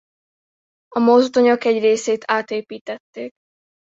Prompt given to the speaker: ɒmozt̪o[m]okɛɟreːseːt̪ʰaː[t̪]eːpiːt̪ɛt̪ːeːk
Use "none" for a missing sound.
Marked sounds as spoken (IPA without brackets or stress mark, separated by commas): ɲ, t̪